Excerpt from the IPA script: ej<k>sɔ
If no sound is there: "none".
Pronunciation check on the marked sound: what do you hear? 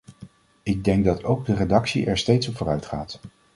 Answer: t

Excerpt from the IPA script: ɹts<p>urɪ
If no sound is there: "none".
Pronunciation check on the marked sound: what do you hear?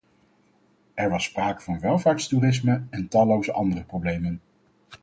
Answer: t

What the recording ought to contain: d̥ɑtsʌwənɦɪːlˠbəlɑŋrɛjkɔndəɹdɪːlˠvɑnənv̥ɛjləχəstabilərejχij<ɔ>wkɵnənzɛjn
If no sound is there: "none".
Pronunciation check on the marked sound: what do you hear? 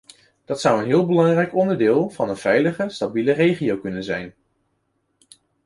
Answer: o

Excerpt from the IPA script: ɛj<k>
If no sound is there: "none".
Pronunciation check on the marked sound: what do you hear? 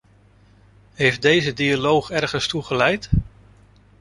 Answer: t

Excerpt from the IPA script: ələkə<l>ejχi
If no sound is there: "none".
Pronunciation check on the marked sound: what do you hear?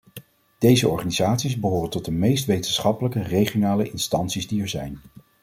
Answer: r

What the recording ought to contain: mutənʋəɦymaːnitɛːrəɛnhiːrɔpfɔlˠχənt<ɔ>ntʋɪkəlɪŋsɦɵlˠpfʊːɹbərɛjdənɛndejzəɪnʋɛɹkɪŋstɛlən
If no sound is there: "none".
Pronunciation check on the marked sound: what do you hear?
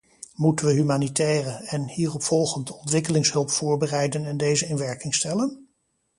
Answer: ɔ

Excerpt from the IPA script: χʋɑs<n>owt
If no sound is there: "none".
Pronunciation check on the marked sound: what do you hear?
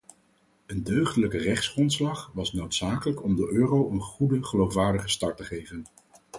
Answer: n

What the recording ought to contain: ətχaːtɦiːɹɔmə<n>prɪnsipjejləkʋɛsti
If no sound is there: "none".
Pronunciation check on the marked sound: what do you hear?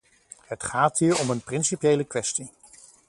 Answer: n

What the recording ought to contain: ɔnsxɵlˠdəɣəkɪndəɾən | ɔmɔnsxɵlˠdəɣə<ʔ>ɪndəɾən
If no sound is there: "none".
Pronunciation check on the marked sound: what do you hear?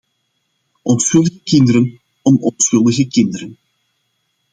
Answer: k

